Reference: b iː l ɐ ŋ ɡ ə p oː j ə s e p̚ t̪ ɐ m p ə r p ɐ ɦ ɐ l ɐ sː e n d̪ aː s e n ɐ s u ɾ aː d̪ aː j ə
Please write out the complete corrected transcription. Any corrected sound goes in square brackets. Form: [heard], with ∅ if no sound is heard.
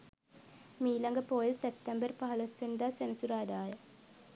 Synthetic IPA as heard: [m] iː l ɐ ŋ ɡ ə p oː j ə s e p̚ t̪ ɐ m [b] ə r p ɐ ɦ ɐ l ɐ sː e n d̪ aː s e n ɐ s u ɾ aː d̪ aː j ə

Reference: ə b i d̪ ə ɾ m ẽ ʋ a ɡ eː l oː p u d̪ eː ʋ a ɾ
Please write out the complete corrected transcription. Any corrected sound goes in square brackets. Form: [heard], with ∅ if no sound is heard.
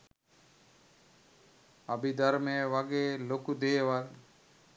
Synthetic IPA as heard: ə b i d̪ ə ɾ m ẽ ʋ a ɡ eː l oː [k] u d̪ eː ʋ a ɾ

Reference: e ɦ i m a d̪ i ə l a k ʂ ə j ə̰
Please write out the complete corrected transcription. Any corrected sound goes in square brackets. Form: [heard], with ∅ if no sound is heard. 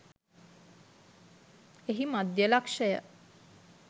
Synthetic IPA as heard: e ɦ i m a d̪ [j] ə l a k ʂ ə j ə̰

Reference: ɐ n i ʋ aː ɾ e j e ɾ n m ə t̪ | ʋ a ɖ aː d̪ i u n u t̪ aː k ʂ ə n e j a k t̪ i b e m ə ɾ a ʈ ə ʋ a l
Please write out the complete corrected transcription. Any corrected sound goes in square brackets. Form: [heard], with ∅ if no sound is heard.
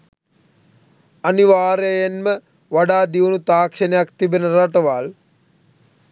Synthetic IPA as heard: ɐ n i ʋ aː ɾ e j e [∅] n m ə [∅] | ʋ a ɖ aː d̪ i u n u t̪ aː k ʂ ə n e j a k t̪ i b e [n] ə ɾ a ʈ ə ʋ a l

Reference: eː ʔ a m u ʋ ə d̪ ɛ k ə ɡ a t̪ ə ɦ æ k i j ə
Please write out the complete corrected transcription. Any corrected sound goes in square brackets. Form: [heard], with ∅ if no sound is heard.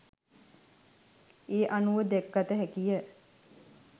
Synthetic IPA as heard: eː ʔ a [n] u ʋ ə d̪ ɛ k ə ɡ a t̪ ə ɦ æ k i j ə

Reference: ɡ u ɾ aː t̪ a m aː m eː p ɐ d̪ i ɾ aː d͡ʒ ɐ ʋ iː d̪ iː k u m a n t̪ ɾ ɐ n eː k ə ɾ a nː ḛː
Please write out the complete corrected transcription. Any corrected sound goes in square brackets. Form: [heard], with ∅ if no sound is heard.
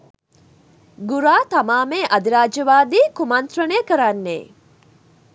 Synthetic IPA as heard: ɡ u ɾ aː t̪ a m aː m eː [ʔ] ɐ d̪ i ɾ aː d͡ʒ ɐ ʋ [aː] d̪ iː k u m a n t̪ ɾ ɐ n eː k ə ɾ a nː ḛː

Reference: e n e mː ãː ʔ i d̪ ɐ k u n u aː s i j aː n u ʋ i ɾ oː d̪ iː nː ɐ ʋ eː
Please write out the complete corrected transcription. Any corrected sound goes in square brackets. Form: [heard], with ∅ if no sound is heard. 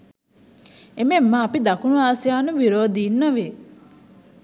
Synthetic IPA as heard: e [m] e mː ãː [p] i d̪ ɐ k u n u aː s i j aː n u ʋ i ɾ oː d̪ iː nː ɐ ʋ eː

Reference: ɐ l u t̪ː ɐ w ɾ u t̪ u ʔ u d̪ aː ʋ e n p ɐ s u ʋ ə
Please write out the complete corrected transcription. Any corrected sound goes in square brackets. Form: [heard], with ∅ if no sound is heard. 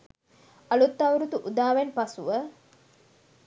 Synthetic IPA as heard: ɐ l u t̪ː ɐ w ɾ u t̪ u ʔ u d̪ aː ʋ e n p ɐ s u ʋ ə

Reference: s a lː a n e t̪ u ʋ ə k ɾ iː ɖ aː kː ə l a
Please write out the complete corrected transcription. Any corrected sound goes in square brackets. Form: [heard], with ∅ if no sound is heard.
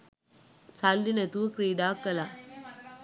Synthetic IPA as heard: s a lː [i] n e t̪ u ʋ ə k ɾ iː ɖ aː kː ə l a

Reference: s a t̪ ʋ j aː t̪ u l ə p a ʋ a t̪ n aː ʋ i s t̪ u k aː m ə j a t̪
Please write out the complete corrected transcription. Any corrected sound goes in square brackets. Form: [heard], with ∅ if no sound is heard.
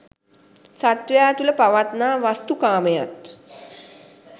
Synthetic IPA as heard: s a t̪ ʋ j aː t̪ u l ə p a ʋ a t̪ n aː ʋ [a] s t̪ u k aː m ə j a t̪

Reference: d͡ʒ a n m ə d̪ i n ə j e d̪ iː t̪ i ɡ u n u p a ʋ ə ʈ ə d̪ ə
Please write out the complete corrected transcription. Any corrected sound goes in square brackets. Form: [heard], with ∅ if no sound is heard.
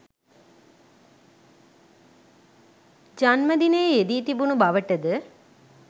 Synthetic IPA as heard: d͡ʒ a n m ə d̪ i n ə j e d̪ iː t̪ i [b] u n u [b] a ʋ ə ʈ ə d̪ ə

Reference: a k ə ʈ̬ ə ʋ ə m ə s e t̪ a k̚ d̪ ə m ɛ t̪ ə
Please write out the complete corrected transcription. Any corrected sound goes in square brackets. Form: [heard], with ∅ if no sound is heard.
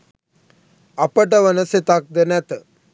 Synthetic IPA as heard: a [p] ə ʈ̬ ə ʋ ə [n] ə s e t̪ a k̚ d̪ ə [n] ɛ t̪ ə

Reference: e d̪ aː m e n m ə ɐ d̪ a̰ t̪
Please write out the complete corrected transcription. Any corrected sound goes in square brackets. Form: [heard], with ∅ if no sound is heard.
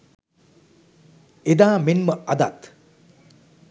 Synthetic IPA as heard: e d̪ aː m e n m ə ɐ d̪ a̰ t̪

